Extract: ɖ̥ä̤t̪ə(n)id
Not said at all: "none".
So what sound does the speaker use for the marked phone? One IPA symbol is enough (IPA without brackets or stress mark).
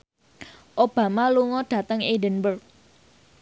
ŋ